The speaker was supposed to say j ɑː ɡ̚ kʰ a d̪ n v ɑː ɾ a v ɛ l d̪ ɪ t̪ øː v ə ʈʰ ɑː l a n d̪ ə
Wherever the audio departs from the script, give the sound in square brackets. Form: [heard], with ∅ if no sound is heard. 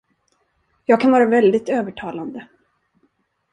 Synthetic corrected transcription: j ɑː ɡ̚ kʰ a [∅] n v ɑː ɾ a v ɛ l d̪ ɪ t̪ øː v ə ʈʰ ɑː l a n d̪ ə